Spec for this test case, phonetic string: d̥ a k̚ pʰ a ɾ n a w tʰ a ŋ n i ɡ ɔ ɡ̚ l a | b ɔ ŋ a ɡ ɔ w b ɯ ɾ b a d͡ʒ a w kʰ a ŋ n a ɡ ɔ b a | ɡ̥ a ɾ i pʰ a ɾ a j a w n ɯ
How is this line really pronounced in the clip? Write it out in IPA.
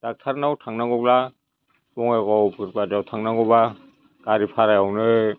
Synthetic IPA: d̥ a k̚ tʰ a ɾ n a w tʰ a ŋ n a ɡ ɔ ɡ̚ l a | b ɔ ŋ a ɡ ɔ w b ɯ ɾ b a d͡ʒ a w tʰ a ŋ n a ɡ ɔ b a | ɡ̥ a ɾ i pʰ a ɾ a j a w n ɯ